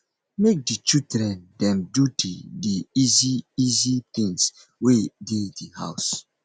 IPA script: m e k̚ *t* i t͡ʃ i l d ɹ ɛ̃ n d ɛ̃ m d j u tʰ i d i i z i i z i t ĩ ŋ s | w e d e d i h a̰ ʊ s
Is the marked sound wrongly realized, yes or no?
yes